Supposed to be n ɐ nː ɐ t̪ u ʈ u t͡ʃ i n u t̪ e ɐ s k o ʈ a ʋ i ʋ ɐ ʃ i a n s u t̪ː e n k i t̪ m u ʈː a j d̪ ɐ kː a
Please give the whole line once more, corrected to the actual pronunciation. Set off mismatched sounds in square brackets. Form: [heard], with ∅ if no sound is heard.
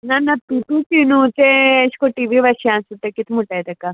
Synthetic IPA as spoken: n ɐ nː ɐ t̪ u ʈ u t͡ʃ i n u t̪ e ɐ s k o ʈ [i] ʋ i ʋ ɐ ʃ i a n s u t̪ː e [∅] k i t̪ m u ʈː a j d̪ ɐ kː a